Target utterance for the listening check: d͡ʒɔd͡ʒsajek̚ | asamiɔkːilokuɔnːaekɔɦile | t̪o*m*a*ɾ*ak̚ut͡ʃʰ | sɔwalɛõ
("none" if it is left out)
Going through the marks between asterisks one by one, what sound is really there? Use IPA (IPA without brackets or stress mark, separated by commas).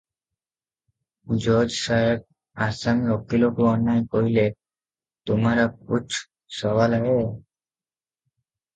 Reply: m, ɾ